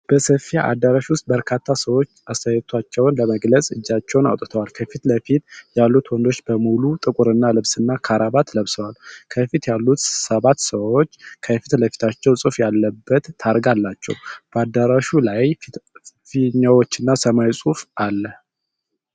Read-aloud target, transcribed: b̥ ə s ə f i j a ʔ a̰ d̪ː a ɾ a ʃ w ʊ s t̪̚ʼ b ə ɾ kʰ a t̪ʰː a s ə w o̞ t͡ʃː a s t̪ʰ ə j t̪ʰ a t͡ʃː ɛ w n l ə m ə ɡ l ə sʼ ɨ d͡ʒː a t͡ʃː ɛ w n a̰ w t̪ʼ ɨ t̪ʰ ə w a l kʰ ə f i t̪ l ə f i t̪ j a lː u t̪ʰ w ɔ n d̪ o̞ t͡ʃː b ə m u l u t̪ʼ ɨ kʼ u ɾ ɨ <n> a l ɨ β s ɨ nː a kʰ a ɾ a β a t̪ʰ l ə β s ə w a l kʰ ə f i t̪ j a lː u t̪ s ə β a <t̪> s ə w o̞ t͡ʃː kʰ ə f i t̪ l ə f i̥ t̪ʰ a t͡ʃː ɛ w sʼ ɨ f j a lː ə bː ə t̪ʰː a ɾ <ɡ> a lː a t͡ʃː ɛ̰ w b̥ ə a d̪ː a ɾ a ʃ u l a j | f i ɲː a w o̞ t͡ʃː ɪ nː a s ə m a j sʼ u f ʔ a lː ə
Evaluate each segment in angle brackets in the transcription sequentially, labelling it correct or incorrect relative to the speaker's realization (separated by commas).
incorrect, correct, correct